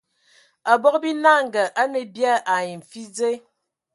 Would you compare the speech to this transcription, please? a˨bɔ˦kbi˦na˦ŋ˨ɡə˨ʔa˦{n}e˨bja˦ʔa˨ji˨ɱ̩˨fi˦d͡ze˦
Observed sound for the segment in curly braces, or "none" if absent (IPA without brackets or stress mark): n